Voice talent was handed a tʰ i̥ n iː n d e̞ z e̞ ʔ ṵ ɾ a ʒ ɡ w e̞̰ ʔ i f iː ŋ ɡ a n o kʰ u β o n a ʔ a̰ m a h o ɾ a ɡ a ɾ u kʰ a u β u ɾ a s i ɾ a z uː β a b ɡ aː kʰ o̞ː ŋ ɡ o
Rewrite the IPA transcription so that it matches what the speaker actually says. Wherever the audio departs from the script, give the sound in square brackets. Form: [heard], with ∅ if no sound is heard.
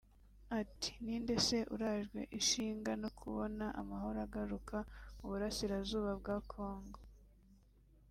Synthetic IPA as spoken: a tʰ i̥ n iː n d e̞ [s] e̞ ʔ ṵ ɾ a ʒ ɡ w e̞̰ ʔ i [ʃ] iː ŋ ɡ a n o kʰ u β o n a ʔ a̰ m a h o ɾ a ɡ a ɾ u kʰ a u β u ɾ a s i ɾ a z uː β a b ɡ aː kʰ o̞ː ŋ ɡ o